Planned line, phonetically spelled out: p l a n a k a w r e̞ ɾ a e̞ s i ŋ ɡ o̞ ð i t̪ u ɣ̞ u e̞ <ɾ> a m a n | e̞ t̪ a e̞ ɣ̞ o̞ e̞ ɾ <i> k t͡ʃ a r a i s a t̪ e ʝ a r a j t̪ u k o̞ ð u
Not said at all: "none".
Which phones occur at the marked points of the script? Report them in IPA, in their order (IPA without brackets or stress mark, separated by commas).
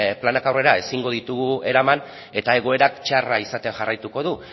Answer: ɾ, a